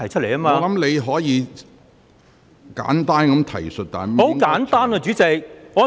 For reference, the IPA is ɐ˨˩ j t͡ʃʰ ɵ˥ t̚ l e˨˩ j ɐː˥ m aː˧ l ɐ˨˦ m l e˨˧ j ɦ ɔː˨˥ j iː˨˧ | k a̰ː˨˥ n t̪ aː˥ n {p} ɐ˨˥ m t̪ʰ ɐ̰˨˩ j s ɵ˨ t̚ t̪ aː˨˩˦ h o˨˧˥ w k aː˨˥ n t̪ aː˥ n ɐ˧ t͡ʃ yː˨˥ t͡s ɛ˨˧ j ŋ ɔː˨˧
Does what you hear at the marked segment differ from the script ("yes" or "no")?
yes